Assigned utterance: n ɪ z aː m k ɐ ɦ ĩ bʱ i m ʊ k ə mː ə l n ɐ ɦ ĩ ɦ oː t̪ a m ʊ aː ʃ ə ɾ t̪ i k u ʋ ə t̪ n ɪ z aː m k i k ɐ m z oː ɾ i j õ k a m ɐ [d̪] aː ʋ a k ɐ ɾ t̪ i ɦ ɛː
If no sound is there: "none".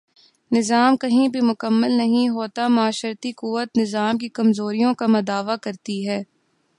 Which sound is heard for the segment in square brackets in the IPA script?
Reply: d̪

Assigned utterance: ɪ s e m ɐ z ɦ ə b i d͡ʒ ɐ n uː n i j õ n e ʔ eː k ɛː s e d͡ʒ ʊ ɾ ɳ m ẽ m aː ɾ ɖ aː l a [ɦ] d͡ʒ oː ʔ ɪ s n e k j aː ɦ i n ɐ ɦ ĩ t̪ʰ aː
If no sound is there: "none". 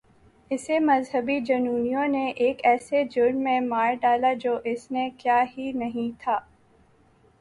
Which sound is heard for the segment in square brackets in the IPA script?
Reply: none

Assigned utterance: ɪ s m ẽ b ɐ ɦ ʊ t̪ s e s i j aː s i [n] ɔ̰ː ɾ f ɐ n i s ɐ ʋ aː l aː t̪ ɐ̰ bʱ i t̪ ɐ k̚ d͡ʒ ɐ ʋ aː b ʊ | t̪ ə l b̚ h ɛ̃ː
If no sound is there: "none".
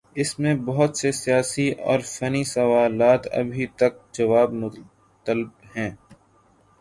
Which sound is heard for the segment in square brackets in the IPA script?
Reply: none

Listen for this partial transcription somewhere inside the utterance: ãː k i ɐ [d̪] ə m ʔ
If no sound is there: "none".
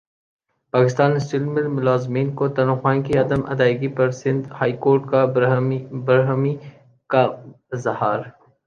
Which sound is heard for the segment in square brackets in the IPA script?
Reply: d̪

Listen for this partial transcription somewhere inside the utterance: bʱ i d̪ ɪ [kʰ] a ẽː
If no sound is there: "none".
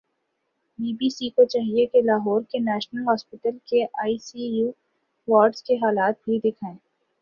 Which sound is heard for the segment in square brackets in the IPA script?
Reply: kʰ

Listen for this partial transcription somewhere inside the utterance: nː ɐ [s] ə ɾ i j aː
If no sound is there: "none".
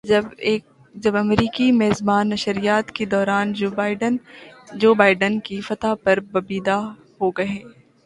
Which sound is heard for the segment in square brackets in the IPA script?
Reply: ʃ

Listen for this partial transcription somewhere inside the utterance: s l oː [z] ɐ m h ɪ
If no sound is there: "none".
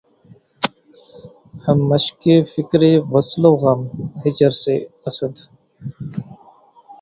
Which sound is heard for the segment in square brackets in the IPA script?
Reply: ɣ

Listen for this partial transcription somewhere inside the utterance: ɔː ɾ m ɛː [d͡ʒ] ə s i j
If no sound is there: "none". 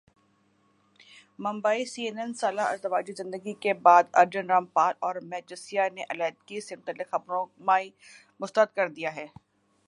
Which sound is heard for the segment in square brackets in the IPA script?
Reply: d͡ʒ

